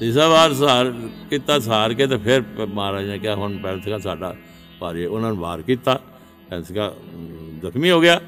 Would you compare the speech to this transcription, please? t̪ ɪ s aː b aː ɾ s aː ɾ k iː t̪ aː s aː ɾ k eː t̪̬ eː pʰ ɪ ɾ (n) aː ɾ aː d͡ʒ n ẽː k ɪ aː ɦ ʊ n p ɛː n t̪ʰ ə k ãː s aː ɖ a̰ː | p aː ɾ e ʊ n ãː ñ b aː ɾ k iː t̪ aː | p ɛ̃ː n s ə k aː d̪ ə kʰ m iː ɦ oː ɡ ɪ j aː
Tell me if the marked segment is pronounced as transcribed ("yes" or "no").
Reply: no